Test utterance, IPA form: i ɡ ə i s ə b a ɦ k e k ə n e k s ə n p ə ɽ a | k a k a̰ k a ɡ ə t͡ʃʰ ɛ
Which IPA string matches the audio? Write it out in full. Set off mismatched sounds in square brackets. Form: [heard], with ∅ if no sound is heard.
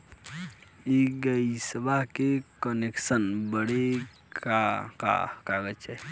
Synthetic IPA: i ɡ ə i s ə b a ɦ k e k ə n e k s ə n [b] ə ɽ [e] | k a k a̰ k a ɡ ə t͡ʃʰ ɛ